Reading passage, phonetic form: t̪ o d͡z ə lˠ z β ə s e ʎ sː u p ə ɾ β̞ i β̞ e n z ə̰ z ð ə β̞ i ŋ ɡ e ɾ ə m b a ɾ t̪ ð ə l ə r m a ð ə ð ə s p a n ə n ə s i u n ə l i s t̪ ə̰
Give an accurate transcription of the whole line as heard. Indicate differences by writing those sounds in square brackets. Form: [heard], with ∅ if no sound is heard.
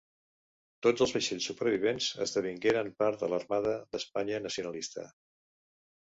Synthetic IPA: t̪ o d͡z ə lˠ z β ə [ʃ] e ʎ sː u p ə ɾ β̞ i β̞ e n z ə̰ z ð ə β̞ i ŋ ɡ e ɾ ə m [p] a ɾ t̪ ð ə l ə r m a ð ə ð ə s p a [ɲ] ə n ə s i u n ə l i s t̪ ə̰